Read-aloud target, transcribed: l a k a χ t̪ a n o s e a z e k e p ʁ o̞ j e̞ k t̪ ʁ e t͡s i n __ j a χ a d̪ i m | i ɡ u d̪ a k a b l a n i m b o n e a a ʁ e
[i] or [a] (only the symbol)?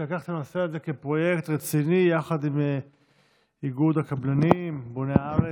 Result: i